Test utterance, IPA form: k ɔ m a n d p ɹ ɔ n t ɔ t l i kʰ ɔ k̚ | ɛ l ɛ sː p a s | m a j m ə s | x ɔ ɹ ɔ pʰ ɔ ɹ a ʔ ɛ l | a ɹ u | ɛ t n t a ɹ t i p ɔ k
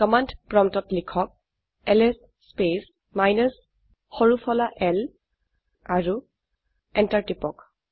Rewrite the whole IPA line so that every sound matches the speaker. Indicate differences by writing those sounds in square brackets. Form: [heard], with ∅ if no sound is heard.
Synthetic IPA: k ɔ m a n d p ɹ ɔ [m] t ɔ t l i kʰ ɔ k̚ | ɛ l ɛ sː p [e] s | m a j [n] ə s | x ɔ ɹ [u] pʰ ɔ [l] a ʔ ɛ l | a ɹ u | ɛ [∅] n t a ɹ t i p ɔ k